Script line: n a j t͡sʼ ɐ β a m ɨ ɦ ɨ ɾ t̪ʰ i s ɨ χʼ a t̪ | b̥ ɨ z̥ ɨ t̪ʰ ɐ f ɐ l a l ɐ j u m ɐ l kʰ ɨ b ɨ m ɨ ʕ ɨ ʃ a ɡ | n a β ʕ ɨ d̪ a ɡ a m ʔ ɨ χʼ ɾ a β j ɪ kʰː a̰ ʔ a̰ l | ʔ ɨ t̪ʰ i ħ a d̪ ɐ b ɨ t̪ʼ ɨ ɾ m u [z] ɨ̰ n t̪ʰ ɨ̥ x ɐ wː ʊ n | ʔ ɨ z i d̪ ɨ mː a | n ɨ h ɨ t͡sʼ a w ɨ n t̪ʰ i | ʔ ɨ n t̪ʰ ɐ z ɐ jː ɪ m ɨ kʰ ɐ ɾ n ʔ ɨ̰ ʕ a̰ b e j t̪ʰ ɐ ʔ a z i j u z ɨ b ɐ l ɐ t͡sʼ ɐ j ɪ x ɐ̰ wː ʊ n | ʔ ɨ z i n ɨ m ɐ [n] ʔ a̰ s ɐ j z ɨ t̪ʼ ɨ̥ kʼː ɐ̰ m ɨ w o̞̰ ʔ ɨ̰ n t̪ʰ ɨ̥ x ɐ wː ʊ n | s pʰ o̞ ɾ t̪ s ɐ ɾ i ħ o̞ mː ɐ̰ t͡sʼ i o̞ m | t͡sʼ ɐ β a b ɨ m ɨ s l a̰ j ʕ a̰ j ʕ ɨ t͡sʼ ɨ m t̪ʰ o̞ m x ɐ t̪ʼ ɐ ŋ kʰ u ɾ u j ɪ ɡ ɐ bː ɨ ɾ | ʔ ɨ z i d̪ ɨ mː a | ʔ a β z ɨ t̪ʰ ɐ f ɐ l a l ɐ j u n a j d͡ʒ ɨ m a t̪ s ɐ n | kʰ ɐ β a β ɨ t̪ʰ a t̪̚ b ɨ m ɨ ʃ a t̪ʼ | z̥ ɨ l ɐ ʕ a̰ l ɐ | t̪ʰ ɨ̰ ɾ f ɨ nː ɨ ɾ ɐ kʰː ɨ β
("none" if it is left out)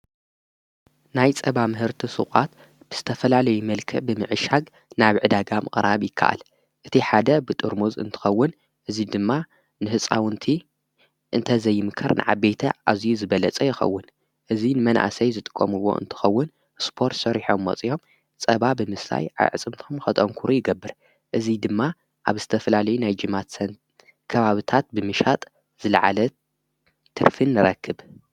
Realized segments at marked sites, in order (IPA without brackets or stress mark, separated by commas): z, n